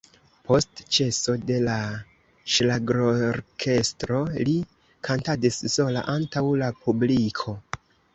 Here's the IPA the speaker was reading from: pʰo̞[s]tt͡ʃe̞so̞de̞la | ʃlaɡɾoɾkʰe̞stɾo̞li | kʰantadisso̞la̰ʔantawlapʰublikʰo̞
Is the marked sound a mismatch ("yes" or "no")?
no